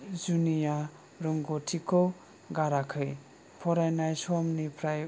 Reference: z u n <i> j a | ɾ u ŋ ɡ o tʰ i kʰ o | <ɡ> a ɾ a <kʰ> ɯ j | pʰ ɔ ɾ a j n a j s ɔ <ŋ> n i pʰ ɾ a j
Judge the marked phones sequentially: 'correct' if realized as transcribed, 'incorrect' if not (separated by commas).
correct, correct, correct, incorrect